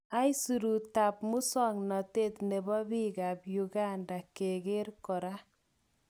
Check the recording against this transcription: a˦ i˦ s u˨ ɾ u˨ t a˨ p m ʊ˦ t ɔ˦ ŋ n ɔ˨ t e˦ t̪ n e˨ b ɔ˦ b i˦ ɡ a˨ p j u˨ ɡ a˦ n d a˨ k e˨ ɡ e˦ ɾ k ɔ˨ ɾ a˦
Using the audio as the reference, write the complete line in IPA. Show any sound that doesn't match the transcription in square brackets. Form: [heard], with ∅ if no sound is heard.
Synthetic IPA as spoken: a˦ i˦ s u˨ ɾ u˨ t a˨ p m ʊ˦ [s] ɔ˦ ŋ n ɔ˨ t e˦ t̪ n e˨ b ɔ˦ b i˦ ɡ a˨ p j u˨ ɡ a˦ n d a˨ k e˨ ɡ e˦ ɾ k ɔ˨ ɾ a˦